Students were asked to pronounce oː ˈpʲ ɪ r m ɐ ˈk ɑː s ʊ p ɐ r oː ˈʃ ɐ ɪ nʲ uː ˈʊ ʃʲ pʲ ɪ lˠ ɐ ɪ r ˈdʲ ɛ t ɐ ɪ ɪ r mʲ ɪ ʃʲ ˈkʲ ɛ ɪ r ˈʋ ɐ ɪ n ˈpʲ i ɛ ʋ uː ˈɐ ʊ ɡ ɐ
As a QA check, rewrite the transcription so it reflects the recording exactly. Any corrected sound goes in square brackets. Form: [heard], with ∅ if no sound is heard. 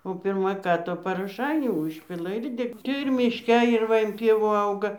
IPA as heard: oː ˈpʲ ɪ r m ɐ ˈk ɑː [t] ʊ p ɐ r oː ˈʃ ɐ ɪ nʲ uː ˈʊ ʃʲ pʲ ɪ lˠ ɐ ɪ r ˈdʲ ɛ t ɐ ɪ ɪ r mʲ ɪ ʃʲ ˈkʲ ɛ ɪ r ˈʋ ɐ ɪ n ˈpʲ i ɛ ʋ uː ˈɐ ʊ ɡ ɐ